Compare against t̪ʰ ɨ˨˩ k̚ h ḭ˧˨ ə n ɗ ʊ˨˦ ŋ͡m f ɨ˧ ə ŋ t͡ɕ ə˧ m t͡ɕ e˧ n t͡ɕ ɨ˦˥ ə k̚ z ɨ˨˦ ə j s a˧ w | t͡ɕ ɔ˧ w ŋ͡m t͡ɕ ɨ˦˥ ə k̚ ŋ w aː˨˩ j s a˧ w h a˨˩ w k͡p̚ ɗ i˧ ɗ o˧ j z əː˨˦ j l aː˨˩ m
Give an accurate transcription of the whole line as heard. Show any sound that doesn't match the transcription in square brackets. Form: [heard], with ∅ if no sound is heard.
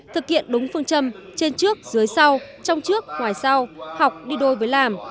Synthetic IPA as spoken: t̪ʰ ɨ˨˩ k̚ h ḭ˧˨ ə n ɗ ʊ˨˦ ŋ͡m f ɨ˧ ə ŋ t͡ɕ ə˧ m t͡ɕ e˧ n t͡ɕ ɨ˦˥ ə k̚ z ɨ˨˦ ə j s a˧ w | t͡ɕ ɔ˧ w ŋ͡m t͡ɕ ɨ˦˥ ə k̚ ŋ w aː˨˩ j s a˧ w h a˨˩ w k͡p̚ ɗ i˧ ɗ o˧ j [v] əː˨˦ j l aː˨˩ m